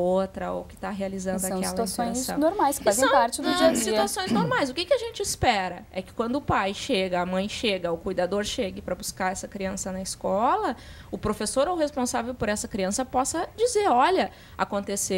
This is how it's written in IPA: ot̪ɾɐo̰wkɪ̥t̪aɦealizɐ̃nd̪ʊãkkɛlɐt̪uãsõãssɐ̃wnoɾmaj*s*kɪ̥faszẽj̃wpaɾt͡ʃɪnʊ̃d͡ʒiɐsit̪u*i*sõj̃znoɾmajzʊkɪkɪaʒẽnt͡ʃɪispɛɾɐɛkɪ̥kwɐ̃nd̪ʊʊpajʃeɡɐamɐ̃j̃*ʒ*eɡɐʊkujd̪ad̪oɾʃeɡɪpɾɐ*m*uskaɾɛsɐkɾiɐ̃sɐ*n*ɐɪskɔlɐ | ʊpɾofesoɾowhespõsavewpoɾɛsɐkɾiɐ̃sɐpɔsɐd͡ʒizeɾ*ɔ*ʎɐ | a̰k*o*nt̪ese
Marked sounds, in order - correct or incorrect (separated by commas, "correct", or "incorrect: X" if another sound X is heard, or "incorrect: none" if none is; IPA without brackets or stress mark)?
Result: correct, incorrect: a, incorrect: ʃ, incorrect: b, correct, correct, incorrect: õ